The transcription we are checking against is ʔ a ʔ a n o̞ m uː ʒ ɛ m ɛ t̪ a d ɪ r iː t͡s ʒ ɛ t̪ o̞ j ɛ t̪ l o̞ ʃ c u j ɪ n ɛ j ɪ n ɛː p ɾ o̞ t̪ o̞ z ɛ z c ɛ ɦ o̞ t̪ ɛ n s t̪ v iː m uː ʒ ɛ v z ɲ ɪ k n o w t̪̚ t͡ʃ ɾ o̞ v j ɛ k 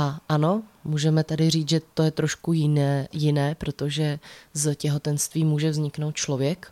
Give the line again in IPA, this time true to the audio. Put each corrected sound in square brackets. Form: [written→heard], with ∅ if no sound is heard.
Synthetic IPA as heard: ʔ a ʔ a n o̞ m uː ʒ ɛ m ɛ t̪ a d ɪ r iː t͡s ʒ ɛ t̪ o̞ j ɛ t̪ [l→ɾ] o̞ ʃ [c→k] u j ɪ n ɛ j ɪ n ɛː p ɾ o̞ t̪ o̞ [z→ʒ] ɛ z c ɛ ɦ o̞ t̪ ɛ n s t̪ v iː m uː ʒ ɛ v z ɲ ɪ k n o w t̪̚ t͡ʃ [ɾ→l] o̞ v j ɛ k